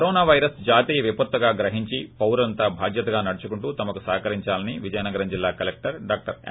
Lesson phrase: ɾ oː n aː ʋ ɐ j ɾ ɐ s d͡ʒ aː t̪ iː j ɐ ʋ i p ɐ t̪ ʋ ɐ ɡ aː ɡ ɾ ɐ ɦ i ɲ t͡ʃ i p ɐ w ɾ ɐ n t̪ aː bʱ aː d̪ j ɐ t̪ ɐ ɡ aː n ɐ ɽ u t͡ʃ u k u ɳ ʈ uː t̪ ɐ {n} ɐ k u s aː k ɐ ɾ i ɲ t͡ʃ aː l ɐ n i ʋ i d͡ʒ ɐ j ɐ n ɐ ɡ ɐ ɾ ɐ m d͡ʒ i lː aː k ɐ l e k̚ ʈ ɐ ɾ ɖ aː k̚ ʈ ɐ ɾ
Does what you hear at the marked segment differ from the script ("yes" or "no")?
yes